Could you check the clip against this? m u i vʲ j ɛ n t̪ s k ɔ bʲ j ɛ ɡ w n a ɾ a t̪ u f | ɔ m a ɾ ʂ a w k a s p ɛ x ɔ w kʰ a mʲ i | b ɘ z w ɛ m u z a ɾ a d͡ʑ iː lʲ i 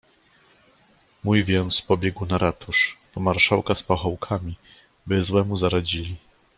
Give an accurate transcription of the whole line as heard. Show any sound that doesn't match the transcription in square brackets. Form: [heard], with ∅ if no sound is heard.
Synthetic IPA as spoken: m u [j] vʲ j ɛ n t̪ s [p] ɔ bʲ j ɛ ɡ w n a ɾ a t̪ u [ʂ] | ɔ m a ɾ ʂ a w k a s p [a] x ɔ w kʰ a mʲ i | b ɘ z w ɛ m u z a ɾ a d͡ʑ [i] lʲ i

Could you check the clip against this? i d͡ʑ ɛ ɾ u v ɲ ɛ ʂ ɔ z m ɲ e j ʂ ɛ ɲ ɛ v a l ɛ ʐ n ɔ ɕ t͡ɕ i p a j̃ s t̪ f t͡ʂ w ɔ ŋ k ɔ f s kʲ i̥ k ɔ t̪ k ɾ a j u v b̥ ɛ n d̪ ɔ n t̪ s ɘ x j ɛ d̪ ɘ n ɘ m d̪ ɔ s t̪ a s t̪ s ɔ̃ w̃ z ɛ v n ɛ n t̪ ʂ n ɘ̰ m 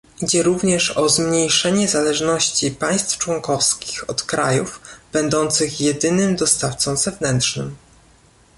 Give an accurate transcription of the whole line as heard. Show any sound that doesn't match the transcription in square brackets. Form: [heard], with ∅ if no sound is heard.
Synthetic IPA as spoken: i d͡ʑ ɛ ɾ u v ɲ ɛ ʂ ɔ z m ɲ e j ʂ ɛ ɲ ɛ [z] a l ɛ ʐ n ɔ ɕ t͡ɕ i p a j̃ s t̪ f t͡ʂ w ɔ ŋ k ɔ f s kʲ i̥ [x] ɔ t̪ k ɾ a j u v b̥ ɛ n d̪ ɔ n t̪ s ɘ x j ɛ d̪ ɘ n ɘ m d̪ ɔ s t̪ a [f] t̪ s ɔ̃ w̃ z ɛ v n ɛ n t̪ ʂ n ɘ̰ m

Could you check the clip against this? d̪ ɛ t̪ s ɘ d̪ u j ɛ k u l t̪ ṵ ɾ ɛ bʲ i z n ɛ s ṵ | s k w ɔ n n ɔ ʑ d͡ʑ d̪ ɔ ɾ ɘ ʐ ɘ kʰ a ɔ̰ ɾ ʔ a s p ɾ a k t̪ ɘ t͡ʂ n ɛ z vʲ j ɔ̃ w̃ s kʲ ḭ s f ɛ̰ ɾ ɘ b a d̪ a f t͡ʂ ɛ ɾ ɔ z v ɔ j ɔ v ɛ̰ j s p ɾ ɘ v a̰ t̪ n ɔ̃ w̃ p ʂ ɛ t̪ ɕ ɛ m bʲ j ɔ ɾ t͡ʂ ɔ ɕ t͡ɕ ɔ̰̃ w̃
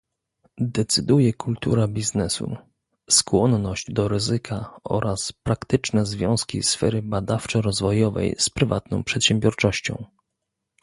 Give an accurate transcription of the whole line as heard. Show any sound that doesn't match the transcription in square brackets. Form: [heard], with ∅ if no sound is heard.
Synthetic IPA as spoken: d̪ ɛ t̪ s ɘ d̪ u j ɛ k u l t̪ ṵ ɾ [a] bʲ i z n ɛ s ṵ | s k w ɔ n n ɔ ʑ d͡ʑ d̪ ɔ ɾ ɘ [z] ɘ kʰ a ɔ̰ ɾ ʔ a s p ɾ a k t̪ ɘ t͡ʂ n ɛ z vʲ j ɔ̃ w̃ s kʲ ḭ s f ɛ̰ ɾ ɘ b a d̪ a f t͡ʂ ɛ ɾ ɔ z v ɔ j ɔ v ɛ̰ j s p ɾ ɘ v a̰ t̪ n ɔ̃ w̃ p ʂ ɛ t̪ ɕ ɛ m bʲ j ɔ ɾ t͡ʂ ɔ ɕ t͡ɕ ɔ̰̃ w̃

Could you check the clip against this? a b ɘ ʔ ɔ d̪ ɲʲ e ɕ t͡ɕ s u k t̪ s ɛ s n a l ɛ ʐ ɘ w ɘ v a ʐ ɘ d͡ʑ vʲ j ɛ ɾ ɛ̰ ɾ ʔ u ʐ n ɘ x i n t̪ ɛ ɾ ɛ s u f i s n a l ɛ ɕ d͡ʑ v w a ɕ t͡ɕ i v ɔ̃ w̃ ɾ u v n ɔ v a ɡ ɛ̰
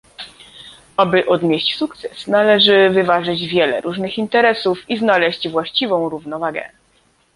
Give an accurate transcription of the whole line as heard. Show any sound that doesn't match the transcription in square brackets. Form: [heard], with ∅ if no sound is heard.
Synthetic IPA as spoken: a b ɘ ʔ ɔ d̪ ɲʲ e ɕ t͡ɕ s u k t̪ s ɛ s n a l ɛ ʐ ɘ [v] ɘ v a ʐ ɘ d͡ʑ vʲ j ɛ [l] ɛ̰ ɾ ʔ u ʐ n ɘ x i n t̪ ɛ ɾ ɛ s u f i [z] n a l ɛ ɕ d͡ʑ v w a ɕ t͡ɕ i v ɔ̃ w̃ ɾ u v n ɔ v a ɡ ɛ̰

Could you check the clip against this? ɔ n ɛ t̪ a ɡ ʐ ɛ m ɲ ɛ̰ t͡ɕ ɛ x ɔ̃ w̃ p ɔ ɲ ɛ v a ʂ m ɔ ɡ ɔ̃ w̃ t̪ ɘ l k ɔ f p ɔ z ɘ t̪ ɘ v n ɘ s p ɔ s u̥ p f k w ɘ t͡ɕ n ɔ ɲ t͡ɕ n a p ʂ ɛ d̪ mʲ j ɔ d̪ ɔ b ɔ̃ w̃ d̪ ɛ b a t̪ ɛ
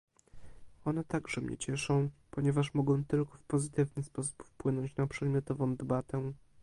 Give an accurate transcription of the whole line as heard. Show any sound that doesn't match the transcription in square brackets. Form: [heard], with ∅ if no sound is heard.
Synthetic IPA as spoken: ɔ n ɛ t̪ a ɡ ʐ ɛ m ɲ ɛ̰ t͡ɕ ɛ [ʂ] ɔ̃ w̃ p ɔ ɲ ɛ v a ʂ m ɔ ɡ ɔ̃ w̃ t̪ ɘ l k ɔ f p ɔ z ɘ t̪ ɘ v n ɘ s p ɔ s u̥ p f [p] w ɘ [∅] n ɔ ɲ t͡ɕ n a p ʂ ɛ d̪ mʲ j ɔ [t̪] ɔ [v] ɔ̃ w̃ d̪ ɛ b a t̪ ɛ

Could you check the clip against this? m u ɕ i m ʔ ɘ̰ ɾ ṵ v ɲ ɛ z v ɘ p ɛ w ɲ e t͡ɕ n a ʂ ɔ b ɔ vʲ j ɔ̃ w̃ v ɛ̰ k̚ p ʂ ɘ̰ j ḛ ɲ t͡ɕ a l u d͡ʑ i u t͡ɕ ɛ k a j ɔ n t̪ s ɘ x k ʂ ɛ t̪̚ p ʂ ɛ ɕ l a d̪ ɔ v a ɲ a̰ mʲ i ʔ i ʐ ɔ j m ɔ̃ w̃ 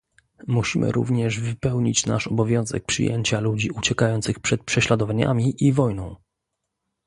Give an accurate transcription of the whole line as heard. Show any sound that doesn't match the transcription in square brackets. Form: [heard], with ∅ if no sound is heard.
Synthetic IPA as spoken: m u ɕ i m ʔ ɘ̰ ɾ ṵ v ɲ ɛ [ʐ] v ɘ p ɛ w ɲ [i] t͡ɕ n a ʂ ɔ b ɔ vʲ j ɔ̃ w̃ [z] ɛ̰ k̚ p ʂ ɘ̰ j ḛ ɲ t͡ɕ a l u d͡ʑ i u t͡ɕ ɛ k a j ɔ n t̪ s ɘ x [p] ʂ ɛ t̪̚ p ʂ ɛ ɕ l a d̪ ɔ v a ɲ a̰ mʲ i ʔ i [v] ɔ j [n] ɔ̃ w̃

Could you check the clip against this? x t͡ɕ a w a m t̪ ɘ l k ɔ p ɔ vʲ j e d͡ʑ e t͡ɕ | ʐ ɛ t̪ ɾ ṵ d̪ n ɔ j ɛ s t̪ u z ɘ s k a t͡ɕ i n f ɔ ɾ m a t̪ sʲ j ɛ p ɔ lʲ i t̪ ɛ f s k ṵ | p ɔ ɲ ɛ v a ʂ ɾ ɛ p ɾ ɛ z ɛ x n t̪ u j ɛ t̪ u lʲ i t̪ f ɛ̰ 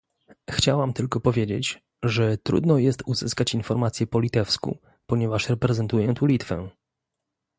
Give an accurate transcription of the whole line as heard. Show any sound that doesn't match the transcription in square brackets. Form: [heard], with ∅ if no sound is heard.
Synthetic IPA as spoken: x t͡ɕ a w a m t̪ ɘ l k ɔ p ɔ vʲ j e d͡ʑ e t͡ɕ | ʐ ɛ t̪ ɾ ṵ d̪ n ɔ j ɛ s t̪ u z ɘ s k a t͡ɕ i n f ɔ ɾ m a t̪ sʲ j ɛ p ɔ lʲ i t̪ ɛ f s k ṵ | p ɔ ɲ ɛ v a ʂ ɾ ɛ p ɾ ɛ z ɛ [∅] n t̪ u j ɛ t̪ u lʲ i t̪ f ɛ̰

